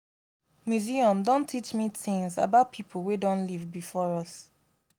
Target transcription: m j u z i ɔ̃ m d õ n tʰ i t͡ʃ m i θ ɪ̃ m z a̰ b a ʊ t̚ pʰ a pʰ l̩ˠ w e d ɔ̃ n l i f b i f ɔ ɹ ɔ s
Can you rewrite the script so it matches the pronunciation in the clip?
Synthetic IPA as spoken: m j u z i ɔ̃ m d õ n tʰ i t͡ʃ m i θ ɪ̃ ŋ z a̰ b a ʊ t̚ pʰ i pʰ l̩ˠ w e d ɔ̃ n l i v b i f ɔ ɹ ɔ s